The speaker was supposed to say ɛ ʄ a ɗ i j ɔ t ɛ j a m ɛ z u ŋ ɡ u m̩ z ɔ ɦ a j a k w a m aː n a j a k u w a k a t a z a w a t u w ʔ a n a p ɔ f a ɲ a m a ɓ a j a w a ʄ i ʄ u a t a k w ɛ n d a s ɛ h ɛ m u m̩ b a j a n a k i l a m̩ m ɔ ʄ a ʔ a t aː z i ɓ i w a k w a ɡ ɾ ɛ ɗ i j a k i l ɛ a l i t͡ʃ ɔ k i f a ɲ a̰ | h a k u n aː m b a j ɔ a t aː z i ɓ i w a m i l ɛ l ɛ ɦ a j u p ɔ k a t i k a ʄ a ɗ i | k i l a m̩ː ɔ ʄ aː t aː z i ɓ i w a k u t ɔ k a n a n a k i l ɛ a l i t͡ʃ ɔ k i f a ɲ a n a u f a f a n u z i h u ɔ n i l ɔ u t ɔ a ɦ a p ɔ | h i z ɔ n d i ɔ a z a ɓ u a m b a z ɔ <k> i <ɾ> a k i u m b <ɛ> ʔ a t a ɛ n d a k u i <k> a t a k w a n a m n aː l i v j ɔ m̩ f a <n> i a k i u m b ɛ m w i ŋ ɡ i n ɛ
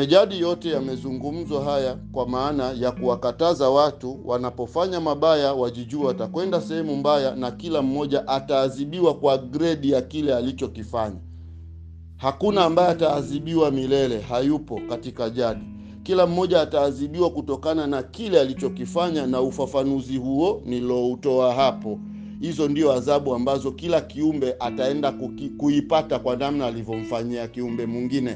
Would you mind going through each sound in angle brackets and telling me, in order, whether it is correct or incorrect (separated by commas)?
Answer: correct, incorrect, correct, incorrect, incorrect